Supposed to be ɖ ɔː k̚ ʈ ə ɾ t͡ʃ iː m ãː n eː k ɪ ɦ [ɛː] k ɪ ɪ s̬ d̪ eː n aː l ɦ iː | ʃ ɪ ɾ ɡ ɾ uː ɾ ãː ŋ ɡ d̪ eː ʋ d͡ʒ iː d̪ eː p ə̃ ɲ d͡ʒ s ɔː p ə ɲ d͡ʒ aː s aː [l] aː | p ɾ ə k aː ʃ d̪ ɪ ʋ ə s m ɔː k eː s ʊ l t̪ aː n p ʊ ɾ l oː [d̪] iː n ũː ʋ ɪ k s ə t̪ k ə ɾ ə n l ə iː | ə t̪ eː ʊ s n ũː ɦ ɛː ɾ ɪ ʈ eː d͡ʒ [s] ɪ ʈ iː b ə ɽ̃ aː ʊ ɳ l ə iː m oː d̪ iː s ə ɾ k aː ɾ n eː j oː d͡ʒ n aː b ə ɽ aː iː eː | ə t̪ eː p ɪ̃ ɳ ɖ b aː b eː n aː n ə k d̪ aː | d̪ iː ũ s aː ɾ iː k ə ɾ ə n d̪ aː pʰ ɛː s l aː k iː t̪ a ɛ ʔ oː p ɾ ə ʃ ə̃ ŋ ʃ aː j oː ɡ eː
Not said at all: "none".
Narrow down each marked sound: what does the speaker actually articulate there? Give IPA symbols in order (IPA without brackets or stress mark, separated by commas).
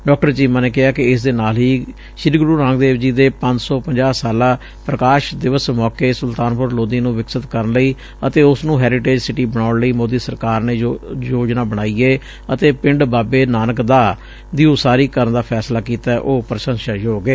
aː, l, d̪, s